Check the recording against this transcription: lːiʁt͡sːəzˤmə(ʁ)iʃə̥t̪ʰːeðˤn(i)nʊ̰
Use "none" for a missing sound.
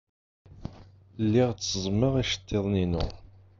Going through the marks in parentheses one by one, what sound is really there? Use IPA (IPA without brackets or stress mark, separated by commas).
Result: ʁ, i